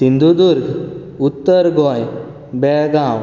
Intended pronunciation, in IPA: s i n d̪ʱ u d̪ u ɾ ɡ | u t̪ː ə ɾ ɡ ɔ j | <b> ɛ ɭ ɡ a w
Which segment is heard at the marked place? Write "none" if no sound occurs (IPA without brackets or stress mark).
b